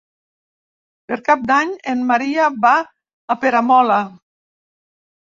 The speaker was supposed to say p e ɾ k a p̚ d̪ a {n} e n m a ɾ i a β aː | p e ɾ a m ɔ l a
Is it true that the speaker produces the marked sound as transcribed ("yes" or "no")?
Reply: no